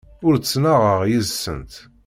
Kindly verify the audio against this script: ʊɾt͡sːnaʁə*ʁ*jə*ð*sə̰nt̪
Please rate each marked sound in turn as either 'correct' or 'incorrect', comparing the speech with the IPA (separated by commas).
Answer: correct, incorrect